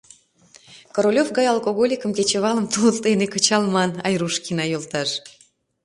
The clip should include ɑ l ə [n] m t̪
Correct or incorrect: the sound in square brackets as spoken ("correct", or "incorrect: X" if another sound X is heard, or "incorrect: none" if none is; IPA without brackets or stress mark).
incorrect: none